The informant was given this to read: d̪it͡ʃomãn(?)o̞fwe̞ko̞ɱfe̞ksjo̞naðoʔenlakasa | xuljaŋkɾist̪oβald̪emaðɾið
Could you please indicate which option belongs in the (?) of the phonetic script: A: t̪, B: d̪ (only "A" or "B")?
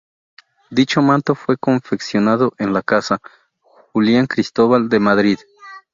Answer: A